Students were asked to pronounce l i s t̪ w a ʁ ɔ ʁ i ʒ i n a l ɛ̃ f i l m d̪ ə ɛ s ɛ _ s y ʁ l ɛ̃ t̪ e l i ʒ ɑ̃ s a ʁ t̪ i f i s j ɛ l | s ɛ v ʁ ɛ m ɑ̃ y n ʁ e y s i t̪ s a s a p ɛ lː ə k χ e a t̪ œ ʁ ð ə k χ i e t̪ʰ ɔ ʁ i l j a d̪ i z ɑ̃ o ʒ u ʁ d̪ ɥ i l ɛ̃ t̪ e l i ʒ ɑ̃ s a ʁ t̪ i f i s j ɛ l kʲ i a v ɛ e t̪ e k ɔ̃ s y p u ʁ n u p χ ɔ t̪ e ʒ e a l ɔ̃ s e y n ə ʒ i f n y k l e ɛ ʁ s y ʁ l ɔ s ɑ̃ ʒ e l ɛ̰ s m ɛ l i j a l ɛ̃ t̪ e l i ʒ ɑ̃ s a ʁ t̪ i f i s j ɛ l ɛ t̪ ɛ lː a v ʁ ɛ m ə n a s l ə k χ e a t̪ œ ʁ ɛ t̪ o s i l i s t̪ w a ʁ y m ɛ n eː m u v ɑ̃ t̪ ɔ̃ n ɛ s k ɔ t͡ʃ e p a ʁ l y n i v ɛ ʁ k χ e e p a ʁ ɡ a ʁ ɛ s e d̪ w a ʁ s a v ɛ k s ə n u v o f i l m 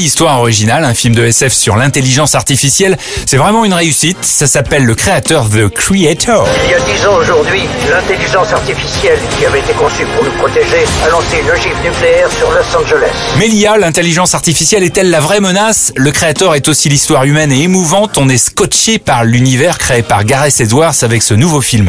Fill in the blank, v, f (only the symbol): f